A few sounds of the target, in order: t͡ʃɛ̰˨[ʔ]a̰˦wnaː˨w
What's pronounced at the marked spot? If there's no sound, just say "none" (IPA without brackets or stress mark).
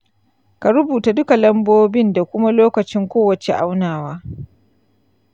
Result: ʔ